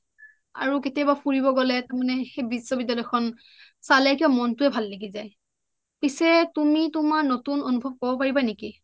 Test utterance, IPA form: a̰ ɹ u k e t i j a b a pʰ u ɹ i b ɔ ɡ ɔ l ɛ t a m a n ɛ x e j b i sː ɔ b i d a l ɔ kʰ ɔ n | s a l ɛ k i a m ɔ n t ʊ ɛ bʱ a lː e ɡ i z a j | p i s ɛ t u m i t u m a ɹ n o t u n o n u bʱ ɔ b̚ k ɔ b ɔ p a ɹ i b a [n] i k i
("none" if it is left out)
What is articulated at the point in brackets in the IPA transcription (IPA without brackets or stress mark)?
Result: n